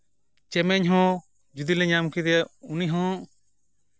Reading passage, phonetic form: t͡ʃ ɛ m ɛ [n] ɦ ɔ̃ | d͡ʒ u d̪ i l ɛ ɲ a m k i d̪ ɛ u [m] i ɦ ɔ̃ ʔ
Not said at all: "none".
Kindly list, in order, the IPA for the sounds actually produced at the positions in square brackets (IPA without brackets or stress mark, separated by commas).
ɲ, n